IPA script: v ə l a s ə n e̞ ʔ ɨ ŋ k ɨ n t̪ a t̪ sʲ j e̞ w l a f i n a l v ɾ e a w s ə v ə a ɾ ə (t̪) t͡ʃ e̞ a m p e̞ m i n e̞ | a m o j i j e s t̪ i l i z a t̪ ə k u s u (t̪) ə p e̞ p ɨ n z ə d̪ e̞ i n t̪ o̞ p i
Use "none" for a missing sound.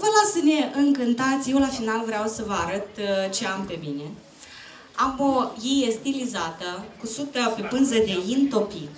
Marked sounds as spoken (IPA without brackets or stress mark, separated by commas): t̪, t̪